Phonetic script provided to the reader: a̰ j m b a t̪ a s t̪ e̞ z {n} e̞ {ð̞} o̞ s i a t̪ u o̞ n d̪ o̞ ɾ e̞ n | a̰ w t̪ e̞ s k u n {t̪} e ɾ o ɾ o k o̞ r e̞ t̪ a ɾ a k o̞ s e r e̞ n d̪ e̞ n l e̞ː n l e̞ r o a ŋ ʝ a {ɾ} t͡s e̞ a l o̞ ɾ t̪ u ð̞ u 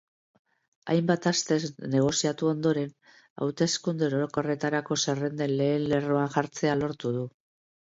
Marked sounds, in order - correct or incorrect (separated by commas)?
correct, incorrect, incorrect, correct